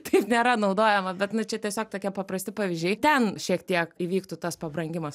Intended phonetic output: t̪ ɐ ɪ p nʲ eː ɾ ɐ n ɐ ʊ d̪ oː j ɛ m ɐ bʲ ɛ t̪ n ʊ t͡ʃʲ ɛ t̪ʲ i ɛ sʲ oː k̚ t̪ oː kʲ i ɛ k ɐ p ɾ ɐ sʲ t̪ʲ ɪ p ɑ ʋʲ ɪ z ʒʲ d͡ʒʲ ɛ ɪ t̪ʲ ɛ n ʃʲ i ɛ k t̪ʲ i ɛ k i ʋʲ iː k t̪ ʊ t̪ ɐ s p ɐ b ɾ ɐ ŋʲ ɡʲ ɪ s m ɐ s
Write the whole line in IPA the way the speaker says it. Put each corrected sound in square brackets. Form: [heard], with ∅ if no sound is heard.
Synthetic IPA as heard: t̪ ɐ ɪ p nʲ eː ɾ ɐ n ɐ ʊ d̪ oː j ɛ m ɐ bʲ ɛ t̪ n ʊ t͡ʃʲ ɛ t̪ʲ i ɛ sʲ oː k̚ t̪ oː kʲ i ɛ [p] ɐ p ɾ ɐ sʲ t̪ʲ ɪ p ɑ ʋʲ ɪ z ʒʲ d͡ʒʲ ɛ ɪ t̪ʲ ɛ n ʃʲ i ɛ k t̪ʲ i ɛ k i ʋʲ iː k t̪ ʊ t̪ ɐ s p ɐ b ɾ ɐ ŋʲ ɡʲ ɪ [∅] m ɐ s

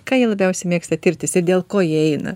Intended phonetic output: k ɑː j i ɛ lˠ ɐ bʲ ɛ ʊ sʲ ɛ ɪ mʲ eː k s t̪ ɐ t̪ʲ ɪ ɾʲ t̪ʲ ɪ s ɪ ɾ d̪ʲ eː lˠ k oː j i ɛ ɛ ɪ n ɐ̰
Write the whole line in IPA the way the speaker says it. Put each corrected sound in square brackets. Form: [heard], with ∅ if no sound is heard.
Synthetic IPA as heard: k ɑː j i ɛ lˠ ɐ bʲ ɛ ʊ sʲ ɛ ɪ mʲ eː k s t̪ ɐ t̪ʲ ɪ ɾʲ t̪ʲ ɪ s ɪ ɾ d̪ʲ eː lˠ k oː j i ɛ ɛ ɪ n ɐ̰

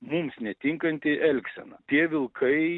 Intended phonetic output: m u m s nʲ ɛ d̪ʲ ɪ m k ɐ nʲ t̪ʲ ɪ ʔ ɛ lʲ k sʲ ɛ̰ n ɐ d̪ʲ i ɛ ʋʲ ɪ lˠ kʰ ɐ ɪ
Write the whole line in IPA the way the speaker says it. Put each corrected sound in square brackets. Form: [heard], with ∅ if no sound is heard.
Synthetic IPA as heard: m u m s nʲ ɛ [t̪ʲ] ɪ [ŋ] k ɐ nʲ t̪ʲ ɪ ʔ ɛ lʲ k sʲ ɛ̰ n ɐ [t̪ʲ] i ɛ ʋʲ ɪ lˠ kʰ ɐ ɪ

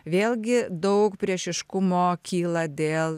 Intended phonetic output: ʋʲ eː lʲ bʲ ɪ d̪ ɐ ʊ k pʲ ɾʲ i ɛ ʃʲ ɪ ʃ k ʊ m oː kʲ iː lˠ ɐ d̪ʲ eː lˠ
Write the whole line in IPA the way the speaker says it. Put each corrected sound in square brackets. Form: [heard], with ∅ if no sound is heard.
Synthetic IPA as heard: ʋʲ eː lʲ [ɡʲ] ɪ d̪ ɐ ʊ k pʲ ɾʲ i ɛ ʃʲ ɪ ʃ k ʊ m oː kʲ iː lˠ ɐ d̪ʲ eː lˠ

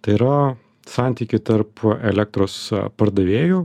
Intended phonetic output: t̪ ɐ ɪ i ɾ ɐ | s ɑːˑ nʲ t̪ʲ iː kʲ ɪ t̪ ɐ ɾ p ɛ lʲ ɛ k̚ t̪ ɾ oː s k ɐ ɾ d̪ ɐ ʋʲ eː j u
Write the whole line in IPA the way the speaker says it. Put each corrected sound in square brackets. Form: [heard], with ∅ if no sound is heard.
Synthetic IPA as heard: t̪ ɐ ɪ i ɾ ɐ | s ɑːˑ nʲ t̪ʲ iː kʲ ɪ t̪ ɐ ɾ p ɛ lʲ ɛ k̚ t̪ ɾ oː s [p] ɐ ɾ d̪ ɐ ʋʲ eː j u

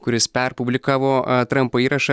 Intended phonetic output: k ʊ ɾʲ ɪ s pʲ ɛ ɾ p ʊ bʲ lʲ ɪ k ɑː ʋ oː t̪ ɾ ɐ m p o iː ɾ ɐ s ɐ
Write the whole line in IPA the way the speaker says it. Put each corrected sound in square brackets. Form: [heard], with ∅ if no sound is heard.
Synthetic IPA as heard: k ʊ ɾʲ ɪ s pʲ ɛ ɾ p ʊ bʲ lʲ ɪ k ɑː ʋ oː t̪ ɾ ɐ m p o iː ɾ ɐ [ʃ] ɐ

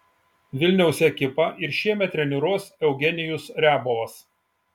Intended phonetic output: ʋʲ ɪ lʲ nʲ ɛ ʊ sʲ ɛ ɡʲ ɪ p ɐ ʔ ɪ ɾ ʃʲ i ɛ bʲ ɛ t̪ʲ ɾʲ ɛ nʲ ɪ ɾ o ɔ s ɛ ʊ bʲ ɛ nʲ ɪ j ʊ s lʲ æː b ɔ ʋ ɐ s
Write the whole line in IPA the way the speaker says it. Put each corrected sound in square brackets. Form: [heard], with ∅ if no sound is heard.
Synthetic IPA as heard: ʋʲ ɪ lʲ nʲ ɛ ʊ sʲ ɛ [kʲ] ɪ p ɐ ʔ ɪ ɾ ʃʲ i ɛ [mʲ] ɛ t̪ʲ ɾʲ ɛ nʲ ɪ ɾ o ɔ s ɛ ʊ [ɡʲ] ɛ nʲ ɪ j ʊ s [ɾʲ] æː b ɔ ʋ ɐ s

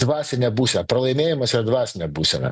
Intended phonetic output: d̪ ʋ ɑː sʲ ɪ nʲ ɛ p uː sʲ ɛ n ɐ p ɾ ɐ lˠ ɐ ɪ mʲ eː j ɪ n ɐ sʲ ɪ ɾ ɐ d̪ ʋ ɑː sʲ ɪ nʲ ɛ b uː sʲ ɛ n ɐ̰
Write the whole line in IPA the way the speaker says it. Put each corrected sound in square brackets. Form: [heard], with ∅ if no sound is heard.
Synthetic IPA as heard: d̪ ʋ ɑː sʲ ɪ nʲ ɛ [b] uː sʲ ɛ n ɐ p ɾ ɐ lˠ ɐ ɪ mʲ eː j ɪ [m] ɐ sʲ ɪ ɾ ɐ d̪ ʋ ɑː sʲ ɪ nʲ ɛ b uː sʲ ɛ n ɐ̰

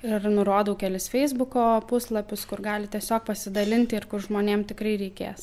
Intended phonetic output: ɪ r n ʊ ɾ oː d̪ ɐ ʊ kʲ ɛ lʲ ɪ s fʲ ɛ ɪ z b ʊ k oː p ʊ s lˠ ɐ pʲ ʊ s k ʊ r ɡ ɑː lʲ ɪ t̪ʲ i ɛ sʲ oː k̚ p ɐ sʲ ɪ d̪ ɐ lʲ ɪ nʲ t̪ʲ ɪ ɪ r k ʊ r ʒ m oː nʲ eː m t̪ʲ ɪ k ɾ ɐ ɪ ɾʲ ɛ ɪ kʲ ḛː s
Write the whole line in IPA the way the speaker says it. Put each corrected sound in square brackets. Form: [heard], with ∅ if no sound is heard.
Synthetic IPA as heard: ɪ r n ʊ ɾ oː d̪ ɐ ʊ kʲ ɛ lʲ ɪ s fʲ ɛ ɪ z b ʊ k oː p ʊ s lˠ ɐ pʲ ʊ s k ʊ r ɡ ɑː lʲ ɪ t̪ʲ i ɛ sʲ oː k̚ p ɐ sʲ ɪ d̪ ɐ lʲ ɪ nʲ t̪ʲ ɪ ɪ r k ʊ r ʒ m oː nʲ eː m t̪ʲ ɪ k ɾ ɐ ɪ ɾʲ ɛ ɪ kʲ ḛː s

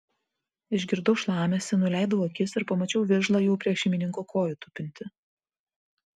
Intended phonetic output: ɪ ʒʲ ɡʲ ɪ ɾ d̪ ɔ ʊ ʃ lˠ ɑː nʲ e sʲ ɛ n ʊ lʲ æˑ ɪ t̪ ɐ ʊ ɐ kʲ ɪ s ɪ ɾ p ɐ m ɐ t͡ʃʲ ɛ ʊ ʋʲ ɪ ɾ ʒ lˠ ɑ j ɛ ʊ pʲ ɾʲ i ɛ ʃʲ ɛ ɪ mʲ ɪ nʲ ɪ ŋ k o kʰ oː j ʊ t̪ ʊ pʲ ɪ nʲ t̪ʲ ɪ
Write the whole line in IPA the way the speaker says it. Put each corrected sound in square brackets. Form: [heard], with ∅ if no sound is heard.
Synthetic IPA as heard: ɪ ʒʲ ɡʲ ɪ ɾ d̪ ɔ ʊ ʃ lˠ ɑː [mʲ] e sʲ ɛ n ʊ lʲ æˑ ɪ [d̪] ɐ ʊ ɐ kʲ ɪ s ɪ ɾ p ɐ m ɐ t͡ʃʲ ɛ ʊ ʋʲ ɪ ɾ ʒ lˠ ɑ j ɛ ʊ pʲ ɾʲ i ɛ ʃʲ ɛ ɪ mʲ ɪ nʲ ɪ ŋ k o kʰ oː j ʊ t̪ ʊ pʲ ɪ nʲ t̪ʲ ɪ

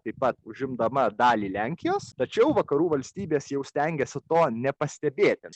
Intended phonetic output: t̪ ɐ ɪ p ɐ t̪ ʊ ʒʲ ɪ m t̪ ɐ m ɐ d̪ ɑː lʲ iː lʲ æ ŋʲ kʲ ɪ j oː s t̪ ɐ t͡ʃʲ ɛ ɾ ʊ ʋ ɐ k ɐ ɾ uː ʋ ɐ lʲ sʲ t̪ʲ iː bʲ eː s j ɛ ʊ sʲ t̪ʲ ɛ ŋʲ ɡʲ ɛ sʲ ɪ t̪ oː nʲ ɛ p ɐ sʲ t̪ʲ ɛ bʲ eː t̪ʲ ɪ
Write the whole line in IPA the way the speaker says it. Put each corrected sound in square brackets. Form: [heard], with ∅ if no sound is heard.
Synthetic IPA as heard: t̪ ɐ ɪ p ɐ t̪ ʊ ʒʲ ɪ m [d̪] ɐ m ɐ d̪ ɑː lʲ iː lʲ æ ŋʲ kʲ ɪ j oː s t̪ ɐ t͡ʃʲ ɛ [∅] ʊ ʋ ɐ k ɐ ɾ uː ʋ ɐ lʲ sʲ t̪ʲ iː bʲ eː s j ɛ ʊ sʲ t̪ʲ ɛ ŋʲ ɡʲ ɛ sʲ ɪ t̪ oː nʲ ɛ p ɐ sʲ t̪ʲ ɛ bʲ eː t̪ʲ ɪ

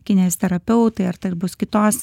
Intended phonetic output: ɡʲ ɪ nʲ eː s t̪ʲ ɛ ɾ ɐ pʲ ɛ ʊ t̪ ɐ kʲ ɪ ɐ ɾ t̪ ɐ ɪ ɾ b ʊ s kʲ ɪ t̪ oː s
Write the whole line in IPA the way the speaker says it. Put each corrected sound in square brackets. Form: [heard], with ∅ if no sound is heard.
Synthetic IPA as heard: [kʲ] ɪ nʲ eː s t̪ʲ ɛ ɾ ɐ pʲ ɛ ʊ t̪ ɐ [∅] ɪ ɐ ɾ t̪ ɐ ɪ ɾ b ʊ s kʲ ɪ t̪ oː s

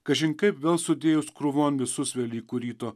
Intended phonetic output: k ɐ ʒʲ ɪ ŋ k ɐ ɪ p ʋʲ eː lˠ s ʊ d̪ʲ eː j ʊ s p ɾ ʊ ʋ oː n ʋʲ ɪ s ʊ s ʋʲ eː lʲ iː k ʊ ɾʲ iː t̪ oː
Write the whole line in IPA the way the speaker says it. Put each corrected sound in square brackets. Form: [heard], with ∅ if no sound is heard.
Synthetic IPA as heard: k ɐ ʒʲ ɪ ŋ k ɐ ɪ p ʋʲ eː lˠ s ʊ d̪ʲ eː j ʊ s [k] ɾ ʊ ʋ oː n ʋʲ ɪ s ʊ s ʋʲ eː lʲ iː k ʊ ɾʲ iː t̪ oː

